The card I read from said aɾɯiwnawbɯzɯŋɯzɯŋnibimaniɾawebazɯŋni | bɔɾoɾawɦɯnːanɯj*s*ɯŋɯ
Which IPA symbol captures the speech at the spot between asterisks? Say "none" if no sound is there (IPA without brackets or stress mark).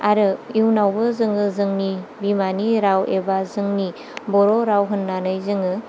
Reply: z